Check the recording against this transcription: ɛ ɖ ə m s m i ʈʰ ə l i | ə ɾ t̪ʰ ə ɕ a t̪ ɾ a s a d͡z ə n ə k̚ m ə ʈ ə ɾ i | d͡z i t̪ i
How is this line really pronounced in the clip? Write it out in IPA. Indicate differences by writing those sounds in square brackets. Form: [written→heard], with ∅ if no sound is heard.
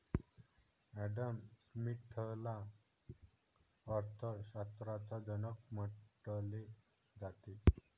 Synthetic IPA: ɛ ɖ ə m s m i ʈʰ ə l [i→a] | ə ɾ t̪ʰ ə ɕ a t̪ ɾ a [s→t͡s] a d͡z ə n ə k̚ m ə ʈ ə [ɾ→l] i | d͡z [i→a] t̪ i